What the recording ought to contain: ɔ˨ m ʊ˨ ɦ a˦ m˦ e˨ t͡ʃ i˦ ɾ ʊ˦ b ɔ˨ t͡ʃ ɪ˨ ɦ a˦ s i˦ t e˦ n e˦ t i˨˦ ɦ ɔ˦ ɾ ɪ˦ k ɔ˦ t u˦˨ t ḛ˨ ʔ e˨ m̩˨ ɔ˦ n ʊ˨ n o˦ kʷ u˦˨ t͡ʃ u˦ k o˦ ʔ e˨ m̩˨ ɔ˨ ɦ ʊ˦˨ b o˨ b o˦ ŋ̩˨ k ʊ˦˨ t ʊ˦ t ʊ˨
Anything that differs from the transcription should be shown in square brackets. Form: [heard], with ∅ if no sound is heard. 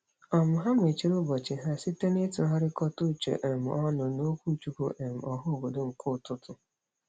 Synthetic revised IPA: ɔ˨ m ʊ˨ ɦ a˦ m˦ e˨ t͡ʃ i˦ ɾ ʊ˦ b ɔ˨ t͡ʃ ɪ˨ ɦ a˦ s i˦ t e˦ n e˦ t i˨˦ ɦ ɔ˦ ɾ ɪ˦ k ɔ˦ t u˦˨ [t͡ʃ] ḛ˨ ʔ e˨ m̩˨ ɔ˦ n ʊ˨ n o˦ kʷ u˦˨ t͡ʃ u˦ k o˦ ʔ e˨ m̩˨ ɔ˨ ɦ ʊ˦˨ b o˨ [d] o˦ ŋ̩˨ k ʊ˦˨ t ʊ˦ t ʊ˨